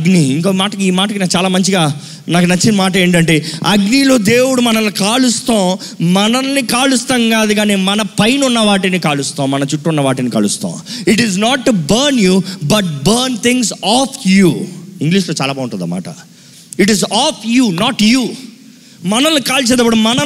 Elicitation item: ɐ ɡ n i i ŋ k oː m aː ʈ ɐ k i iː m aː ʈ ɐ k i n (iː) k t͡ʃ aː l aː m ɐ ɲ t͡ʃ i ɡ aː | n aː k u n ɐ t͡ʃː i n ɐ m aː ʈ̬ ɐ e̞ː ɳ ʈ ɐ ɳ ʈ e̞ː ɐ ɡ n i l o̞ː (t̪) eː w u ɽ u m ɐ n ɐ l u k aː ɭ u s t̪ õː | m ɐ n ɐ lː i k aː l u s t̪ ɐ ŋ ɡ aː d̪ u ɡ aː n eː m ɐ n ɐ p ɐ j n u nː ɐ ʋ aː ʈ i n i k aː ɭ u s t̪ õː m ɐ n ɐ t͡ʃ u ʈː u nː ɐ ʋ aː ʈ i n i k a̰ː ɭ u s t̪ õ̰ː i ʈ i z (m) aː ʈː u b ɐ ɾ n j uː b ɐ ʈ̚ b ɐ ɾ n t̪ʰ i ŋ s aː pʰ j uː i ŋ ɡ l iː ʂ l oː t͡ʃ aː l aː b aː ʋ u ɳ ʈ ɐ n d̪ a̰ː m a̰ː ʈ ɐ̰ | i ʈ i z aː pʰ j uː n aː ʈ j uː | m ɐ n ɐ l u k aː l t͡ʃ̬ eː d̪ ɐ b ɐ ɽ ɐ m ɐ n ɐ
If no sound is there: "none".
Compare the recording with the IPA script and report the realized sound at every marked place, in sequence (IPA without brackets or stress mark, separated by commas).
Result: aː, d̪, n